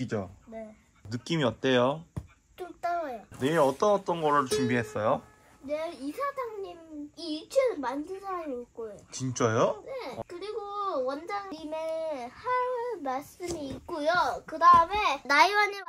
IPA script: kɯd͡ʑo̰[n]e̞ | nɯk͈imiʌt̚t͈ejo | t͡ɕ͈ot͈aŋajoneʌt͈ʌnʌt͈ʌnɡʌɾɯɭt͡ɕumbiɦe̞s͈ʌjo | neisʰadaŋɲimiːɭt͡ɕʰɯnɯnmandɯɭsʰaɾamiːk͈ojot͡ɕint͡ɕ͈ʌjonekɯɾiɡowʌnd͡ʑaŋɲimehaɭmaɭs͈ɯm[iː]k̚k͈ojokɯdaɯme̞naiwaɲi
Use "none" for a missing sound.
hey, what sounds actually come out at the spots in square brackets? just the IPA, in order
n, iː

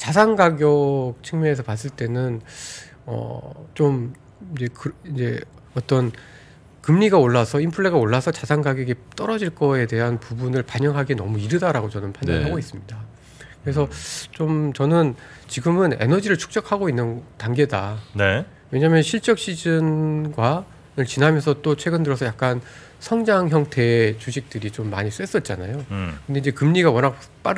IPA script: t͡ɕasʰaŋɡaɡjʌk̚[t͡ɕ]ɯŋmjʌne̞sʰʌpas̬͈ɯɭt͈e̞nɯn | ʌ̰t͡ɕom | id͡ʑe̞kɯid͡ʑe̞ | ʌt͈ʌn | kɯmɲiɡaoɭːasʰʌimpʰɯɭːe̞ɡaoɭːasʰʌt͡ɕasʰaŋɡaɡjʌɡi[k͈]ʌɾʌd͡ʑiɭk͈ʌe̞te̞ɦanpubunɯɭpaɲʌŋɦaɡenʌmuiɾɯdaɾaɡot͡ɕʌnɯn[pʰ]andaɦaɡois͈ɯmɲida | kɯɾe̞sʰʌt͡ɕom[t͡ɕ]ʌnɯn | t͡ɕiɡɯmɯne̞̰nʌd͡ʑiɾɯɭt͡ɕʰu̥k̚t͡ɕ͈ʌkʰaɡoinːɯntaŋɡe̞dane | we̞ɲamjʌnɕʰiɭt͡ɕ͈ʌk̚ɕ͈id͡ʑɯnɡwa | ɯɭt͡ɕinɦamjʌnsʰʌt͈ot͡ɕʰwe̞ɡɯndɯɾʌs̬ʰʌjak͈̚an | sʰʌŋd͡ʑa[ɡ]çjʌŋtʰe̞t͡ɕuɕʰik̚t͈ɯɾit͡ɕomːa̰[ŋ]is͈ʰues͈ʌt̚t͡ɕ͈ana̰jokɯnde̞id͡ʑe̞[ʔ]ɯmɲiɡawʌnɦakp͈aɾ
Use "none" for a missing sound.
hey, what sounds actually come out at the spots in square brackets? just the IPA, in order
t͡ɕʰ, t͈, pʰ, t͡ɕ, ŋ, ɲ, k

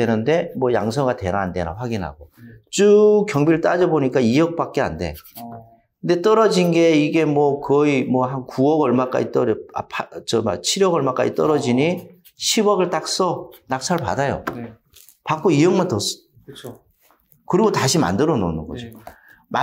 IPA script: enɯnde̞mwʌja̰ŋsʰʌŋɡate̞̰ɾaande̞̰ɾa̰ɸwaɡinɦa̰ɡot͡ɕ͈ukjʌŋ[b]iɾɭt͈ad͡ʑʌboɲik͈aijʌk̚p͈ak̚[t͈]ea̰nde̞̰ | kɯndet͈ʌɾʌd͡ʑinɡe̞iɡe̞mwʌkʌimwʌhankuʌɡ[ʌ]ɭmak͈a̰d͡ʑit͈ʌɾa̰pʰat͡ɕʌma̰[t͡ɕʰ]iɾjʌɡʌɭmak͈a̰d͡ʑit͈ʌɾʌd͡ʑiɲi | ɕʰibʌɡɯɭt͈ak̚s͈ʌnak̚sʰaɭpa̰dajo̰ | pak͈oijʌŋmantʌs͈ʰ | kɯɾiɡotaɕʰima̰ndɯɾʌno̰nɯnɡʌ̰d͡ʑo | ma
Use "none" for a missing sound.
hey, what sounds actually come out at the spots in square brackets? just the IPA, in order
b, k͈, ʌ, t͡ɕʰ

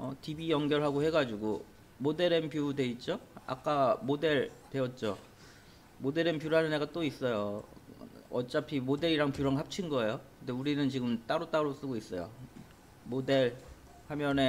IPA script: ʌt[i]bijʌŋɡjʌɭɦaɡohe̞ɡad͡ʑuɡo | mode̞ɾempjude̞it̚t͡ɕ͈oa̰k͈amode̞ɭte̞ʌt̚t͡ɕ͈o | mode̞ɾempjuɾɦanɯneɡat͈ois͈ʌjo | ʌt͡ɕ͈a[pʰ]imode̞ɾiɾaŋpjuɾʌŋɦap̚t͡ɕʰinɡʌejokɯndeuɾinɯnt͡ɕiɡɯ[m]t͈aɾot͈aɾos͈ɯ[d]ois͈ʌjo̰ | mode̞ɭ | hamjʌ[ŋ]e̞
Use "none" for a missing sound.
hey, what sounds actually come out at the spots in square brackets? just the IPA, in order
i, pʰ, m, ɡ, n

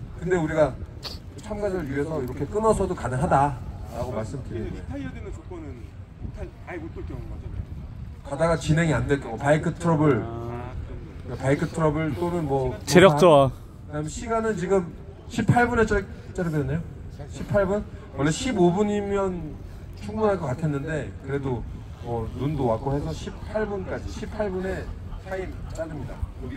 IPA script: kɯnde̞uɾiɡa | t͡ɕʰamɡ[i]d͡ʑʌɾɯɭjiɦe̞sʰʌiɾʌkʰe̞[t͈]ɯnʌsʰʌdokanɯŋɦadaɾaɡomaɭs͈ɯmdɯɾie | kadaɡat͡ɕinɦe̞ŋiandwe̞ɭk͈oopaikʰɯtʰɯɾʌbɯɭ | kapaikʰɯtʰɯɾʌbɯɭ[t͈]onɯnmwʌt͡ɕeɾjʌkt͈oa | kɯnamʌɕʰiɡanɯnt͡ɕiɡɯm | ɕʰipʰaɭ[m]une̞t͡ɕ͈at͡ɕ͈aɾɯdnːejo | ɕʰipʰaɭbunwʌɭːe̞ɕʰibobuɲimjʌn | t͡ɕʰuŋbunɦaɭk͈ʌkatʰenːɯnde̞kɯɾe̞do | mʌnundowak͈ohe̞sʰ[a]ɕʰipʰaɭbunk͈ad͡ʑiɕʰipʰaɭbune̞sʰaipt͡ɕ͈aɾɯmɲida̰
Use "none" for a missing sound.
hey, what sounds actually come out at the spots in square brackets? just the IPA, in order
a, k͈, t͈, b, ʌ

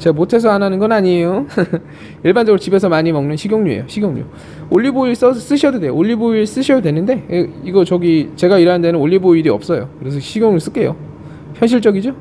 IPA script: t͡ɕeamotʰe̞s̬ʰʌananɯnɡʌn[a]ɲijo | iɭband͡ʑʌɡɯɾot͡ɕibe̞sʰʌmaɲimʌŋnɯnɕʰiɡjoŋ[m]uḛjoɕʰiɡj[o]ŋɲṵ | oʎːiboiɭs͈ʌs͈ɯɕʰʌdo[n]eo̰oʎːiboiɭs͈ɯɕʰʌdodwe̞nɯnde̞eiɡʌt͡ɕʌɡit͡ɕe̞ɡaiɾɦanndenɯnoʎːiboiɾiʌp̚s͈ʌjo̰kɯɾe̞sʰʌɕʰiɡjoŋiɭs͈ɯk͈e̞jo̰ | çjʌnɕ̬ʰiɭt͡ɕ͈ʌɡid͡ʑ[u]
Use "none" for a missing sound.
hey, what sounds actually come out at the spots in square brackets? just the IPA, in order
a, ɲ, o, d, o

